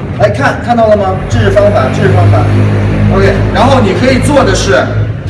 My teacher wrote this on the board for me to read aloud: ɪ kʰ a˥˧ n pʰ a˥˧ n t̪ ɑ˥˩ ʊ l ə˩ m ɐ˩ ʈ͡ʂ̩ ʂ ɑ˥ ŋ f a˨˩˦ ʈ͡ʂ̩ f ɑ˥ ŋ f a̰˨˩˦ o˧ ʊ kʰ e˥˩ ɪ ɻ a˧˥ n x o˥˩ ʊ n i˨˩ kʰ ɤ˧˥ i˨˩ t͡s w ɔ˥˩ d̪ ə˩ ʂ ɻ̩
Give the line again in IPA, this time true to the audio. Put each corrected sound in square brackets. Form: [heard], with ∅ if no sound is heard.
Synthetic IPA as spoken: ɪ kʰ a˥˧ n [kʰ] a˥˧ n t̪ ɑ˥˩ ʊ l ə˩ m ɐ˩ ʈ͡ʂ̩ [f] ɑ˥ ŋ f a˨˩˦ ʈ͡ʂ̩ f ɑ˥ ŋ f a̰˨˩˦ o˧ ʊ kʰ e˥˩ ɪ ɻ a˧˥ n x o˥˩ ʊ n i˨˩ kʰ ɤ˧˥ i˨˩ t͡s w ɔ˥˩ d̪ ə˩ ʂ ɻ̩